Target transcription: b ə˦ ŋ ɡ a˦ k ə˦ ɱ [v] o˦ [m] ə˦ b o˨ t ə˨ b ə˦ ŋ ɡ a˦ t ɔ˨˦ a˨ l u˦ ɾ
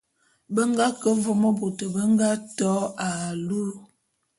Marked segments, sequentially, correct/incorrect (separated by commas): correct, correct